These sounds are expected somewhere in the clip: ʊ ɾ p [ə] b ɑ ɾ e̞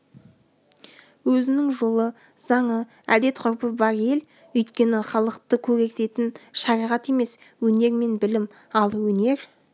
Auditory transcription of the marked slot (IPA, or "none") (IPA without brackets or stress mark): ə